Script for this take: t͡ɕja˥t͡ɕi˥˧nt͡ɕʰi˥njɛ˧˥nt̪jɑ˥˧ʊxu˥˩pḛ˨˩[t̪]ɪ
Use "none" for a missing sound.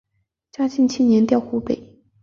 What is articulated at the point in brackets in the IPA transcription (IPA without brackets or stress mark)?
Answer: none